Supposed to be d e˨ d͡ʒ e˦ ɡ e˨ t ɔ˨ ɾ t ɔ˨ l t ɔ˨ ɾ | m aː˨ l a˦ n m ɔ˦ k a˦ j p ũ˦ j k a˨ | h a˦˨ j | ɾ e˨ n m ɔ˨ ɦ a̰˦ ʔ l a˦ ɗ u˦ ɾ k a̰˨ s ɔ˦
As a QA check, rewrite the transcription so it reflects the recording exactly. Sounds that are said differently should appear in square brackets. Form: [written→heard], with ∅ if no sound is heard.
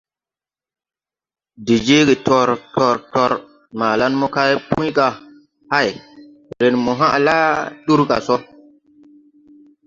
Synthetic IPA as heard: d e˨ d͡ʒ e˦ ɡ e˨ t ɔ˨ ɾ t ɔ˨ [l→ɾ] t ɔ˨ ɾ | m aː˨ l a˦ n m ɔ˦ k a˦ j p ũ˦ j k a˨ | h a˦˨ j | ɾ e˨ n m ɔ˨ ɦ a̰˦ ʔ l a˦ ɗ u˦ ɾ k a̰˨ s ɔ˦